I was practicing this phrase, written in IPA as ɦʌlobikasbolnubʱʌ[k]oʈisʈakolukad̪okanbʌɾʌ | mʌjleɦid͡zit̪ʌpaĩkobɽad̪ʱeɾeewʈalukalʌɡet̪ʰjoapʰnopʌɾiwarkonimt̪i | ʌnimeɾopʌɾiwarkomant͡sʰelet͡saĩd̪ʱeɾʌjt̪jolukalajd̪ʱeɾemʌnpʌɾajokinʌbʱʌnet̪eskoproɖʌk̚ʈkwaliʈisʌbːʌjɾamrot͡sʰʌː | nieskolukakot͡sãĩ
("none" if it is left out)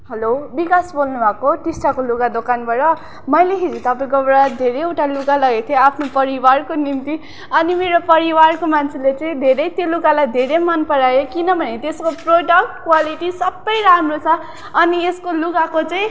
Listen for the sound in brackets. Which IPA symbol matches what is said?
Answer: k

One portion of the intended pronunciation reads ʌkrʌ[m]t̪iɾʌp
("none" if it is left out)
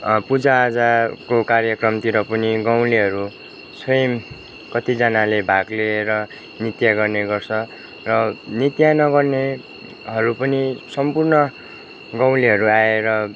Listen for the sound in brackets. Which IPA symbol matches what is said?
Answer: m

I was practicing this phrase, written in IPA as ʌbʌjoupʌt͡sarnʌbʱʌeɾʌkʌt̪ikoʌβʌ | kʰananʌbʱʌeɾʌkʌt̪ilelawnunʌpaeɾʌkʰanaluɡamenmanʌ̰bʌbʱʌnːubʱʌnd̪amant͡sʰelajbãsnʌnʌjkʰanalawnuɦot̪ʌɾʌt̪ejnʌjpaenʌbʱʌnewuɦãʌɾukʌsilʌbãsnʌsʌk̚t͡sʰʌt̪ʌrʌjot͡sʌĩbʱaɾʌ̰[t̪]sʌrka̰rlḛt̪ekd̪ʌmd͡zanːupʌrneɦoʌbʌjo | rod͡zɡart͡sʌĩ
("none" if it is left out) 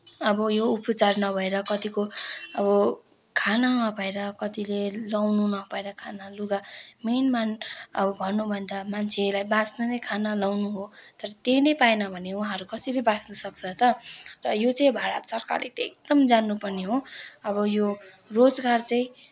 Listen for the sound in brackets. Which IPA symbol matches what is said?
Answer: t̪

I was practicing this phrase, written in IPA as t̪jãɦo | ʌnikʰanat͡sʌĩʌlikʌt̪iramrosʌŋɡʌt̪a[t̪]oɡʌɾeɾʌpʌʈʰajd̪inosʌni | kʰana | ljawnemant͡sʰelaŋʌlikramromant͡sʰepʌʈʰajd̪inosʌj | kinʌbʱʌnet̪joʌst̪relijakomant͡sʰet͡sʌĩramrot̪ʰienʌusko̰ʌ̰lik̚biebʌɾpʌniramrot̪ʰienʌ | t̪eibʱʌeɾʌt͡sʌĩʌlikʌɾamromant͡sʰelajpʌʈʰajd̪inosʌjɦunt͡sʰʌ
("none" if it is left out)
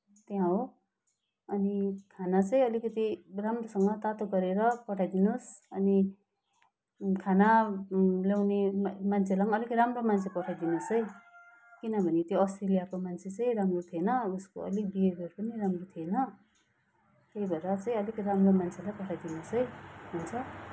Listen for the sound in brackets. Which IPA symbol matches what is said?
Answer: t̪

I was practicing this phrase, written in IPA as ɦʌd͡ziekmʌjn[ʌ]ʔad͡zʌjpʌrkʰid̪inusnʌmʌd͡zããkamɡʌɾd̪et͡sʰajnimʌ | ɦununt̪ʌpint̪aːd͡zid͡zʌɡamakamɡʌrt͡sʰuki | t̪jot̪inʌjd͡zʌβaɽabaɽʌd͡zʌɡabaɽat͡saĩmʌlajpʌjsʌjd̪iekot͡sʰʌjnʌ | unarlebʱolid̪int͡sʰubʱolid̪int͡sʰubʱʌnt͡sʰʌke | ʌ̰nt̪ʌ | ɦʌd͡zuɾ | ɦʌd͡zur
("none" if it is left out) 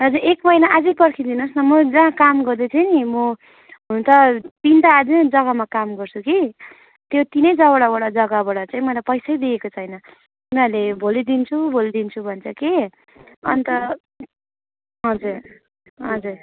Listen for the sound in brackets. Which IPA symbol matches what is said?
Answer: a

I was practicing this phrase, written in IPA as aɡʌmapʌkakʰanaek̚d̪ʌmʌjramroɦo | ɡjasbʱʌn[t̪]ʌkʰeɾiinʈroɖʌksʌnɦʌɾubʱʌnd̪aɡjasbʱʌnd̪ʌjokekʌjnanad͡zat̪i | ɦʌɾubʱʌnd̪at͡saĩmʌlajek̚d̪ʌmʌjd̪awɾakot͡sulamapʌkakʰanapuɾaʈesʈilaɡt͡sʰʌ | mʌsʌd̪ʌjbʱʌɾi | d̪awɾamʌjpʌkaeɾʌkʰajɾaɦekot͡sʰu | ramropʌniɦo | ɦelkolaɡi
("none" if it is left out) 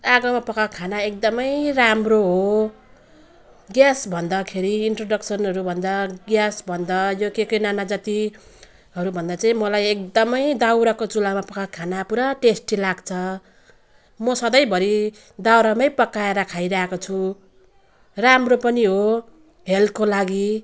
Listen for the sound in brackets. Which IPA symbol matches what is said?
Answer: d̪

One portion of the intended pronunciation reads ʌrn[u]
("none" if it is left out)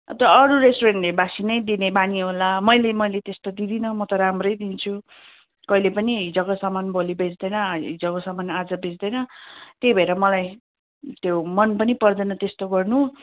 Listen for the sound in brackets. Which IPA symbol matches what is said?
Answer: u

